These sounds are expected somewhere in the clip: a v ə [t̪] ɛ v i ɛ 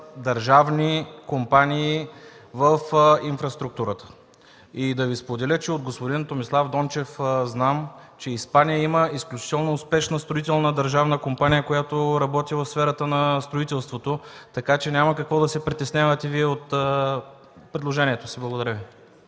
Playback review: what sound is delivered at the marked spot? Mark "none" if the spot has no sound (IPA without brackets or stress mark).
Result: t̪